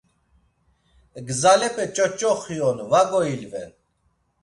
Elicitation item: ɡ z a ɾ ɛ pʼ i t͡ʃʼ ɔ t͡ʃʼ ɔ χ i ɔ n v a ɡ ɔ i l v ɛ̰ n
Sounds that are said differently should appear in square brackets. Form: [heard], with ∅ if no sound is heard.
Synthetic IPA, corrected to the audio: ɡ z a [l] ɛ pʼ [ɛ] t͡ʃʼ ɔ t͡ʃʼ ɔ χ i ɔ n v a ɡ ɔ i l v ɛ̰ n